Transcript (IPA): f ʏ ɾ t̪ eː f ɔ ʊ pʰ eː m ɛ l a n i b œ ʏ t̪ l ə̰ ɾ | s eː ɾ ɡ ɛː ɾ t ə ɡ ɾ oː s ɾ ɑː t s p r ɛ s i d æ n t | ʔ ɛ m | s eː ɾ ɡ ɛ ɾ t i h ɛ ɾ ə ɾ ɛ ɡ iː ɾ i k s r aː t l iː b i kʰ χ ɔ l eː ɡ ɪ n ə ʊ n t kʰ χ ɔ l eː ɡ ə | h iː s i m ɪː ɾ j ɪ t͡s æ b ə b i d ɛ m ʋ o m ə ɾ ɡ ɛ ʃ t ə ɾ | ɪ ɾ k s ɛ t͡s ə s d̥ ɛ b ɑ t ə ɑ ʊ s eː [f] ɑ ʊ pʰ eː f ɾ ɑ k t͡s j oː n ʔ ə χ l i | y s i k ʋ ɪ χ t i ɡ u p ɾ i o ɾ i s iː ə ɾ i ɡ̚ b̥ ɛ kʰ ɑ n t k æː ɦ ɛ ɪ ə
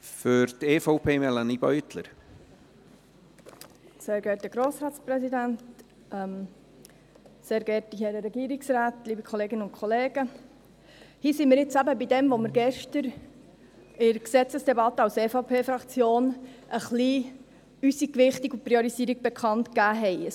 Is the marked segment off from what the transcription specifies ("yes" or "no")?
no